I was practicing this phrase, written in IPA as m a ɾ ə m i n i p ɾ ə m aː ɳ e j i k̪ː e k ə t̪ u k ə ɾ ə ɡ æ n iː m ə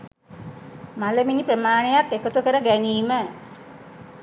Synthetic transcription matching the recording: m a l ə m i n i p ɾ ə m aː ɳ e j a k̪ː e k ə t̪ u k ə ɾ ə ɡ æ n iː m ə